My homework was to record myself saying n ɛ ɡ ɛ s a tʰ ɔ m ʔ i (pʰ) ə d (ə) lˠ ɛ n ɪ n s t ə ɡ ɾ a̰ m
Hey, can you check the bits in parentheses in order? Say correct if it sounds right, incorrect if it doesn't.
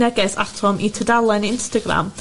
incorrect, incorrect

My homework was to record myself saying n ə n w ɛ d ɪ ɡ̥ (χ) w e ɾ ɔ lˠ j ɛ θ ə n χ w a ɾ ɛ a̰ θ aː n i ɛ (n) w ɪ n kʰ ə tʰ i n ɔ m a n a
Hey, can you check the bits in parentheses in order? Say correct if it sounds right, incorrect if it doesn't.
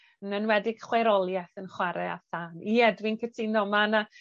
correct, incorrect

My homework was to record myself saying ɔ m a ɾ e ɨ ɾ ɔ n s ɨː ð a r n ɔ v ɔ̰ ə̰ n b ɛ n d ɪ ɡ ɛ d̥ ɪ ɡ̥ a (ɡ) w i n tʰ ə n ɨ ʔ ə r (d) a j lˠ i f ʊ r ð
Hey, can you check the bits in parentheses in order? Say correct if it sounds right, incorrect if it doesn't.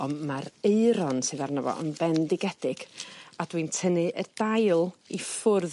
incorrect, correct

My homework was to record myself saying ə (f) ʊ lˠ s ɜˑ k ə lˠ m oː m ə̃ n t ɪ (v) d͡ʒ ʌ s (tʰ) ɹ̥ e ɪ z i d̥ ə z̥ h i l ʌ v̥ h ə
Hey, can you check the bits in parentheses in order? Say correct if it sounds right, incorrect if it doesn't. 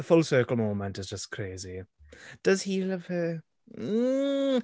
correct, incorrect, incorrect

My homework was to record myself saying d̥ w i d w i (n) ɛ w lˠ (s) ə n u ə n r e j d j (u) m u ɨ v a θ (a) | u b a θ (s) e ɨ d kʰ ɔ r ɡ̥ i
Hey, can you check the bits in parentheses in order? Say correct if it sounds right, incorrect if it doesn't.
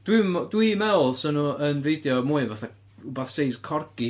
incorrect, correct, incorrect, correct, correct

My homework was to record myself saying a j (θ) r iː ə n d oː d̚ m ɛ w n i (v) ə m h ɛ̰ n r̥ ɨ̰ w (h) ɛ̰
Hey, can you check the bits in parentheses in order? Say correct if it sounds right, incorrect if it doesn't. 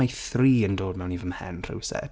correct, correct, incorrect

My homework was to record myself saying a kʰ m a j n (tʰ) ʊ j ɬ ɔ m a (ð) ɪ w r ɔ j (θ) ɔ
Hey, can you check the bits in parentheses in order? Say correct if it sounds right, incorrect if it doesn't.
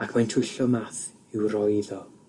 correct, incorrect, incorrect

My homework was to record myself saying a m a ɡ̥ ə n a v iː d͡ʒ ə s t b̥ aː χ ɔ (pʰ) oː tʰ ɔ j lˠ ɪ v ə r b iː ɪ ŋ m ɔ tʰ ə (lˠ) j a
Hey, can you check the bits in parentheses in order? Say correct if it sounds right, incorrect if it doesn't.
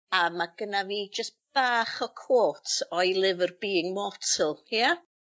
incorrect, correct

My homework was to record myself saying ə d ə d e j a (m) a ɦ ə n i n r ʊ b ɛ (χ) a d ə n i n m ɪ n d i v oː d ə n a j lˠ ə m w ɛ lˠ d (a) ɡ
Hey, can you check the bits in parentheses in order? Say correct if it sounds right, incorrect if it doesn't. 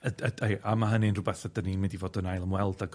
correct, incorrect, correct

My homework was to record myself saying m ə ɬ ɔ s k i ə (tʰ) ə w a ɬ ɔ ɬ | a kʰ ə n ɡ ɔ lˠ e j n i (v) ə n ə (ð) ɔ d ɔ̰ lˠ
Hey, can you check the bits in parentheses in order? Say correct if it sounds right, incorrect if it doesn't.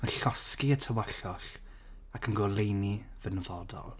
correct, correct, incorrect

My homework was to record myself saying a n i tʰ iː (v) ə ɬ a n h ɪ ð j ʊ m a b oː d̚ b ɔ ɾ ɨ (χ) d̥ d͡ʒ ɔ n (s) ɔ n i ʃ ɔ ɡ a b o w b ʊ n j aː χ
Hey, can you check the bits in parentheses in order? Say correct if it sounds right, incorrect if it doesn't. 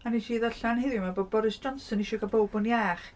incorrect, incorrect, correct

